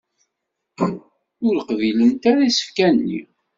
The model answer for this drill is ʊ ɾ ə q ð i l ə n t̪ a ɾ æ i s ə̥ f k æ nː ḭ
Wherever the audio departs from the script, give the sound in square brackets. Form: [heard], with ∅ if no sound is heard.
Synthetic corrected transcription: ʊ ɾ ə q [v] i l ə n t̪ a ɾ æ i s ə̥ f k æ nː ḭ